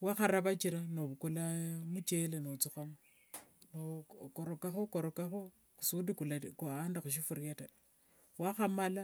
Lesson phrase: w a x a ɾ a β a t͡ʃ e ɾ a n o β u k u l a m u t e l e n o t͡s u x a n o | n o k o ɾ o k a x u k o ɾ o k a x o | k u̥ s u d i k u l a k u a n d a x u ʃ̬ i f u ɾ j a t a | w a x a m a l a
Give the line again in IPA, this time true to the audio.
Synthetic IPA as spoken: w a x a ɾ a β a t͡ʃ i ɾ a n o β u k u l a m u t͡ʃ e l e n o t͡s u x a m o | n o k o ɾ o k a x o k o ɾ o k a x o | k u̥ s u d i k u l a k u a n d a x u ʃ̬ i f u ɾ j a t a | w a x a m a l a